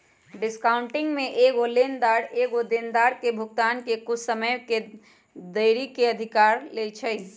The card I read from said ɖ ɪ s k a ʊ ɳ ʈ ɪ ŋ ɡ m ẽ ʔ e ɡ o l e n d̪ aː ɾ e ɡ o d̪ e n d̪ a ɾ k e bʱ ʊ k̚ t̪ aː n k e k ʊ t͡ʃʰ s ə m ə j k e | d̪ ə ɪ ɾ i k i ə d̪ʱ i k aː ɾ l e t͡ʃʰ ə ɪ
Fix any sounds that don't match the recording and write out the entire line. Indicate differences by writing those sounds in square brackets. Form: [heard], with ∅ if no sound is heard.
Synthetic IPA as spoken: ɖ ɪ s k a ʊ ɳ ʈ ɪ ŋ ɡ m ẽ ʔ e ɡ o l e n d̪ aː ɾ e ɡ o d̪ e n d̪ a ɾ k e bʱ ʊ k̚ t̪ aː n k e k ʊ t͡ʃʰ s ə m ə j k e | d̪ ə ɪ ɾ i k [e] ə d̪ʱ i k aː ɾ l e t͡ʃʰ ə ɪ